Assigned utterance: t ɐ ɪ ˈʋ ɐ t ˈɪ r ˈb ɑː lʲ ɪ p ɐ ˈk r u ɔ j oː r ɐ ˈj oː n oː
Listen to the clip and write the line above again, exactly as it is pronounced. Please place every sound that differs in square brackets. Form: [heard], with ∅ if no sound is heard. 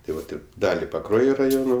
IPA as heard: t ɐ ɪ ˈʋ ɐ t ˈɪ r [ˈd] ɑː lʲ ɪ p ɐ ˈk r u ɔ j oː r ɐ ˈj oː n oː